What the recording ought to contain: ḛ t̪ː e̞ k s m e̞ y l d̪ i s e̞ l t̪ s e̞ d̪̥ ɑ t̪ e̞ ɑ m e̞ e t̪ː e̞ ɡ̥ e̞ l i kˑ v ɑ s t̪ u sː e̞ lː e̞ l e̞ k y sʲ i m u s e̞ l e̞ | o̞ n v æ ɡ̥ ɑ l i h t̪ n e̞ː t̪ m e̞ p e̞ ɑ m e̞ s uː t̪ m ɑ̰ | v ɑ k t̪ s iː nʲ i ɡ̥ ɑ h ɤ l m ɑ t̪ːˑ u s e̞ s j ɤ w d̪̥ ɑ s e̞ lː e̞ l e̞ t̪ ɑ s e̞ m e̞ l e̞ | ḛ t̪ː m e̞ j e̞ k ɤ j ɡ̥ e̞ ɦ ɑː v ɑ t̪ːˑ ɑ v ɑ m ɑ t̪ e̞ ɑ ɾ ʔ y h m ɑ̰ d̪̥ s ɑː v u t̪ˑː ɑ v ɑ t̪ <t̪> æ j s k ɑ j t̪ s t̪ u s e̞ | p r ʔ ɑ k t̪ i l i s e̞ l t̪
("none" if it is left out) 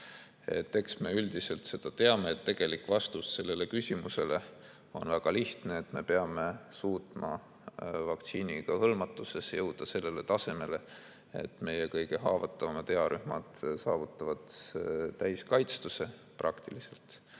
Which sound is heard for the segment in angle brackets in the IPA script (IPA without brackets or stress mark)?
t̪